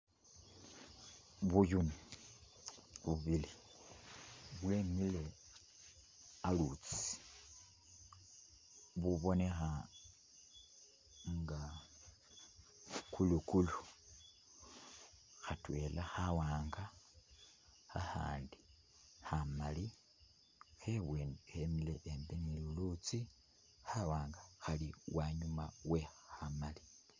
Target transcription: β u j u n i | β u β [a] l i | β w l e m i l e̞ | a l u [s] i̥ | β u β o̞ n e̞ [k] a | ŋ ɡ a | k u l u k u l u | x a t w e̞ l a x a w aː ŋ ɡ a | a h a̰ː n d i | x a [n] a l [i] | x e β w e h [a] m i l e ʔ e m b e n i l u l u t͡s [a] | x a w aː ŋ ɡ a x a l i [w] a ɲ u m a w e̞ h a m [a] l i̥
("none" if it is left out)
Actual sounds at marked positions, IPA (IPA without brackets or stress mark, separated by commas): i, t͡s, x, m, i, e, i, w, a